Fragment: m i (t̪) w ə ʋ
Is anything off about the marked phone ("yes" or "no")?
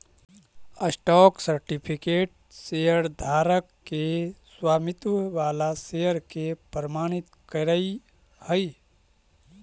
no